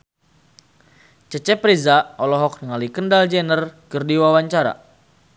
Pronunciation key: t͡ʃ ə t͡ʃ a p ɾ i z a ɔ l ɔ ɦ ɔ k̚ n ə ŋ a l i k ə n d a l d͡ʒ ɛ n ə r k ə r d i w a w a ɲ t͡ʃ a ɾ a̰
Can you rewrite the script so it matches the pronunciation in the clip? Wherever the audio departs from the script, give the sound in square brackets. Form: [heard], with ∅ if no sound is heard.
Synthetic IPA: t͡ʃ ə t͡ʃ [ɛ] p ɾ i z a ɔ l ɔ ɦ ɔ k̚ n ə ŋ a l i k ə n d a l d͡ʒ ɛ n ə r k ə r d i w a w a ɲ t͡ʃ a ɾ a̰